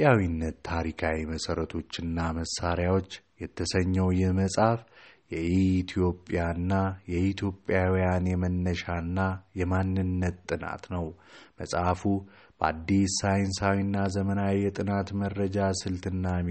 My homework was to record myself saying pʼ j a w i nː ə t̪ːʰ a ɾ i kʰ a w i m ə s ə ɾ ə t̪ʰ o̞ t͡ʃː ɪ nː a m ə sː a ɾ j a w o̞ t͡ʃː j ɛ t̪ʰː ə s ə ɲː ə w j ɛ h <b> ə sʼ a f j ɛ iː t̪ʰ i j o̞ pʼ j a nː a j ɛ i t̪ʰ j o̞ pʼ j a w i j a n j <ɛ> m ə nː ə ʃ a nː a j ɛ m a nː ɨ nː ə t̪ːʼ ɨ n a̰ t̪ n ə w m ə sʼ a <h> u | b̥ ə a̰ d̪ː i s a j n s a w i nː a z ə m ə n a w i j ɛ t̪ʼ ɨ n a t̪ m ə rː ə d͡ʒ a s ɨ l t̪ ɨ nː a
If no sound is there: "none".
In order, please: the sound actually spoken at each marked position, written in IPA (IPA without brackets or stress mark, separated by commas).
m, ɛ, f